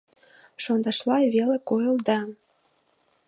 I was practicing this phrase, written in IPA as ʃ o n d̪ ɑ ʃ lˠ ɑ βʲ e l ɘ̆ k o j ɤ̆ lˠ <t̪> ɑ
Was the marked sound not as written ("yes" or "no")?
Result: yes